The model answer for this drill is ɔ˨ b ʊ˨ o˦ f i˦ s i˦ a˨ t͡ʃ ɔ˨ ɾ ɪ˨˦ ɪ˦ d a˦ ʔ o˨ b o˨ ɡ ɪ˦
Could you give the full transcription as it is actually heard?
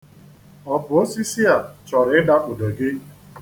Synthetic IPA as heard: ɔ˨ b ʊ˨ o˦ s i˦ s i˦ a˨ t͡ʃ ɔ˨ ɾ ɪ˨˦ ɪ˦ d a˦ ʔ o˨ d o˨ ɡ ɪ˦